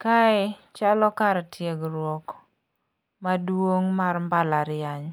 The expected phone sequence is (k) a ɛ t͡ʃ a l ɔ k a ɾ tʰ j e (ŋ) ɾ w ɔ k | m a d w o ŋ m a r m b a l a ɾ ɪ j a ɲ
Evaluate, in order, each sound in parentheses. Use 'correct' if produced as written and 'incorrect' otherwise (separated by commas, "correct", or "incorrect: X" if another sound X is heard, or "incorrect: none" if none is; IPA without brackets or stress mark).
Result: correct, incorrect: ɡ